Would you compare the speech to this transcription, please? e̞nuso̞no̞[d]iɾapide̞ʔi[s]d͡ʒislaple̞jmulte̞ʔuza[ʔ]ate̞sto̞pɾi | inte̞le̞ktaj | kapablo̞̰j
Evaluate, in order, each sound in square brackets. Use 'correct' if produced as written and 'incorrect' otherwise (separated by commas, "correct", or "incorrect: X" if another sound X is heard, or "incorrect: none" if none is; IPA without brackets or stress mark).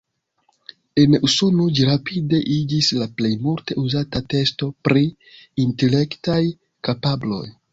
incorrect: d͡ʒ, incorrect: none, incorrect: t